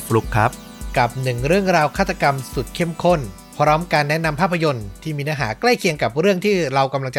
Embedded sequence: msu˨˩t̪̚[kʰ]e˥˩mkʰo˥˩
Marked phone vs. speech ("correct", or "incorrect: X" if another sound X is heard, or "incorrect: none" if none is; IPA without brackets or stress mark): correct